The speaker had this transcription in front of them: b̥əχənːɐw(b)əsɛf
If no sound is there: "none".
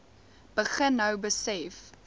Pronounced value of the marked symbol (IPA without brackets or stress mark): b